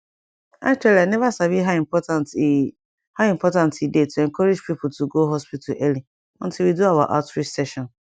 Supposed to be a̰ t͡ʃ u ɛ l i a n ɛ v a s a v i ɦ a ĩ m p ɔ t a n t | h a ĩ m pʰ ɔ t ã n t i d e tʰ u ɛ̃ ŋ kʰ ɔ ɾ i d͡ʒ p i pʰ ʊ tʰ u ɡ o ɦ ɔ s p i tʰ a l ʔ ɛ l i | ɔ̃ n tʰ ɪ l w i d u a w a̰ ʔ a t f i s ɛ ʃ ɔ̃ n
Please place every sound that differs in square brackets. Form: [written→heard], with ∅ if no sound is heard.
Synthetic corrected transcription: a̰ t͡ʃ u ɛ l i a n ɛ v a s a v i ɦ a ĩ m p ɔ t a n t | h a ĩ m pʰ ɔ t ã n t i d e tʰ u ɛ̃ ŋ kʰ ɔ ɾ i d͡ʒ p i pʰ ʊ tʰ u ɡ o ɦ ɔ s p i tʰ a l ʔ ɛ l i | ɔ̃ n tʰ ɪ l w i d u a w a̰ ʔ a t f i s ɛ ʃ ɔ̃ n